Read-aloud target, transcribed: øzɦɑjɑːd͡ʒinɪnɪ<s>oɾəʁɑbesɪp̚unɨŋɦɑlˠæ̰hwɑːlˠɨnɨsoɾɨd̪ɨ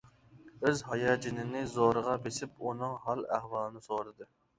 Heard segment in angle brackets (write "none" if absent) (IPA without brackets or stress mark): z